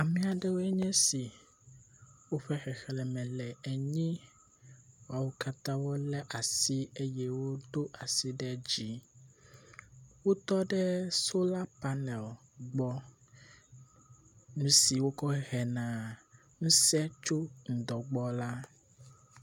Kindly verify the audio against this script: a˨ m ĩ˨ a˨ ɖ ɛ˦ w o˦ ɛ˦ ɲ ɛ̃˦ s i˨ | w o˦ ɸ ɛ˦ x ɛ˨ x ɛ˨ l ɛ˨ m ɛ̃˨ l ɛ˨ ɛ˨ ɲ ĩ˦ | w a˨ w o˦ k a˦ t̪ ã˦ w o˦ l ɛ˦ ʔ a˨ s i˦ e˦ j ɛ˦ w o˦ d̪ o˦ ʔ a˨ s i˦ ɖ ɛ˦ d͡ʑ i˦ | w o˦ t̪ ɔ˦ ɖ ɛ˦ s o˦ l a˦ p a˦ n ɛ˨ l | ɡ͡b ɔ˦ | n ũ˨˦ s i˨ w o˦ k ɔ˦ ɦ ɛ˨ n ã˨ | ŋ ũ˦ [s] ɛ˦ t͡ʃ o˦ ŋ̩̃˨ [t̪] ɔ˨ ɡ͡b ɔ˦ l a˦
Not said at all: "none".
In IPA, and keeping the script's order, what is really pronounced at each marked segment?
s, d̪

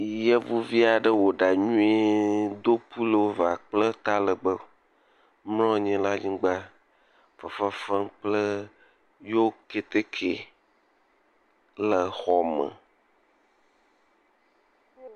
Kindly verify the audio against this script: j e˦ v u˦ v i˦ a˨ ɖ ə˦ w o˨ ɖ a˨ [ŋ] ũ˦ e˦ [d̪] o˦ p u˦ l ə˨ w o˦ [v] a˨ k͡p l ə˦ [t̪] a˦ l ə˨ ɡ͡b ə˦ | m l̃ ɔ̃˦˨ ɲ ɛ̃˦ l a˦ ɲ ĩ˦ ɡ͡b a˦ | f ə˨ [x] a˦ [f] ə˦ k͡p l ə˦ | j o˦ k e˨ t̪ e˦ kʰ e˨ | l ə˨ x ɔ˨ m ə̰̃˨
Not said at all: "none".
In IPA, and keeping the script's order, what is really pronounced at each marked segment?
ɲ, d̪, v, t̪, f, f

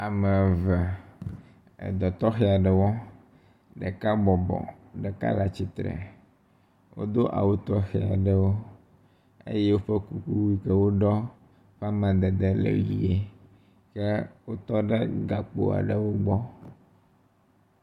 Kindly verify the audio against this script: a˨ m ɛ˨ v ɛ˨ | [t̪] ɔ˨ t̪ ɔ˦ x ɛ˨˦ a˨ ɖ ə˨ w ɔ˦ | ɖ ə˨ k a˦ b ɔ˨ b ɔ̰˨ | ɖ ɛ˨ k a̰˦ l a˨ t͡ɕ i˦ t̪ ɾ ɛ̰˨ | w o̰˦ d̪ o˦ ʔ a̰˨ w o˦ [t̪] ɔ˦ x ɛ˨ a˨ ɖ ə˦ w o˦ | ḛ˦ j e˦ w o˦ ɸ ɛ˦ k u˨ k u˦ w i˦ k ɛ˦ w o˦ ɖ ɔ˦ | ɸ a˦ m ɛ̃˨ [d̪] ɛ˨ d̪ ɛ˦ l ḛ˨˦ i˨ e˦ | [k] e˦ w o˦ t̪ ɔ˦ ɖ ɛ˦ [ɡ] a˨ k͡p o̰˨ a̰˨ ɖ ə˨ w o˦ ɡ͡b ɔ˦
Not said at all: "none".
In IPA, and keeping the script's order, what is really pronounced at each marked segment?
d̪, t̪, d̪, k, ɡ

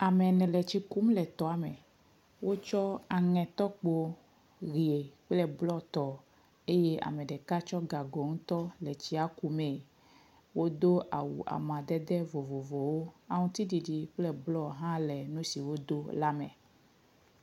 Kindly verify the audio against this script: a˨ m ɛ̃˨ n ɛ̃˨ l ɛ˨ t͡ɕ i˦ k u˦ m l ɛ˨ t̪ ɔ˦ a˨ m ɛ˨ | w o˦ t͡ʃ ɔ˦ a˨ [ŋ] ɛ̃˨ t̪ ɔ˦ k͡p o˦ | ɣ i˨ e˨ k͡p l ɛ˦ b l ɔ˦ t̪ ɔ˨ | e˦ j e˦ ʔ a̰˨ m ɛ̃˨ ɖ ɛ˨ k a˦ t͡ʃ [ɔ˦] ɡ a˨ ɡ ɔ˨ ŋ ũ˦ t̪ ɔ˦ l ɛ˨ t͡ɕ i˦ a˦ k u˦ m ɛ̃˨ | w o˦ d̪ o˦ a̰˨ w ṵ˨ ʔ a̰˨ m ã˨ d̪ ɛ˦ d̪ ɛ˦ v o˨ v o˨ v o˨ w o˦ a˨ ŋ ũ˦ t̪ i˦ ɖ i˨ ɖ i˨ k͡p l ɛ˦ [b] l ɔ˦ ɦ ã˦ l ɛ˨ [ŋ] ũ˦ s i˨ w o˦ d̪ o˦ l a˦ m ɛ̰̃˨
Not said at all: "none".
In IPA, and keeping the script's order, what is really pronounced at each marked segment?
ŋ, ɔ˦, b, n

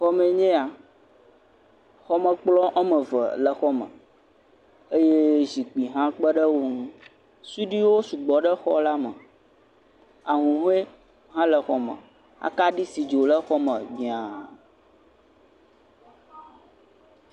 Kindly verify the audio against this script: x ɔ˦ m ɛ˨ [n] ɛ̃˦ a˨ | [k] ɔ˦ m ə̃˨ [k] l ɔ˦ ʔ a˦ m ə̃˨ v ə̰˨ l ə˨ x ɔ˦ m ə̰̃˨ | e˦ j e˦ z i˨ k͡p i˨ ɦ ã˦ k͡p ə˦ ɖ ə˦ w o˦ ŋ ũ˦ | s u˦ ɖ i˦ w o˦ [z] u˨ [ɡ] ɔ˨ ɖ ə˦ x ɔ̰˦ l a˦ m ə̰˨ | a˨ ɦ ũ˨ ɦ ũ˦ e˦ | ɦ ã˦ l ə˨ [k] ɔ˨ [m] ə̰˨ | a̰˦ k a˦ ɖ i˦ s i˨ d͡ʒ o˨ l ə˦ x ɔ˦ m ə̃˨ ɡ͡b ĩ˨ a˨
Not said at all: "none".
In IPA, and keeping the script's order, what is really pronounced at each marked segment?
ɲ, x, k͡p, s, ɡ͡b, x, m

